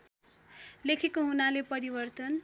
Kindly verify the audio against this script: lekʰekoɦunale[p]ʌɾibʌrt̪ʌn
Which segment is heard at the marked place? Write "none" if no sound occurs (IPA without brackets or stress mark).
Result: p